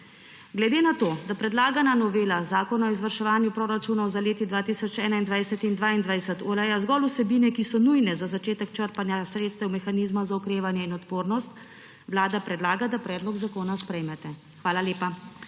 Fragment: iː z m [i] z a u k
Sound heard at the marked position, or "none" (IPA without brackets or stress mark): a